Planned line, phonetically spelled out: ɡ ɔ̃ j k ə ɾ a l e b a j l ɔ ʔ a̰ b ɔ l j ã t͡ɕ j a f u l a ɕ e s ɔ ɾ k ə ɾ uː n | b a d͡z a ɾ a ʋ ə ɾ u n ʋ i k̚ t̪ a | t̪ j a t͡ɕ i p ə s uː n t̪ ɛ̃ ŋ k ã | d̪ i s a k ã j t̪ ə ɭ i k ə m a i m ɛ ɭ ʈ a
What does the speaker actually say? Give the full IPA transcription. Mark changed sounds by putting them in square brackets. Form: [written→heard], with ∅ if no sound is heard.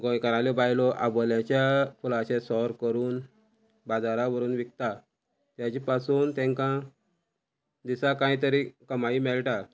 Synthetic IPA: ɡ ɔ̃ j k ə ɾ a l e b a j l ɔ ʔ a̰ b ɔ l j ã t͡ɕ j a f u l a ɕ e s ɔ ɾ k ə ɾ uː n | b a d͡z a ɾ a ʋ ə ɾ [u→uː] n ʋ i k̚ t̪ a | t̪ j a t͡ɕ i p [ə→a] s uː n t̪ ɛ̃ ŋ k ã | d̪ i s a k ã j t̪ ə [ɭ→ɾ] i k ə m a i m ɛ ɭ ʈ a